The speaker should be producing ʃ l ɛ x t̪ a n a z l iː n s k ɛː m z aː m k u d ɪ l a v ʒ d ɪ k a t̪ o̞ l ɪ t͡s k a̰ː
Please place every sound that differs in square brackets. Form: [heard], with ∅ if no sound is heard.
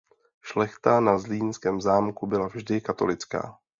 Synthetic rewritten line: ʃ l ɛ x t̪ a n a z l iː n s k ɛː m z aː m k u [b] ɪ l a v ʒ d ɪ k a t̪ o̞ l ɪ t͡s k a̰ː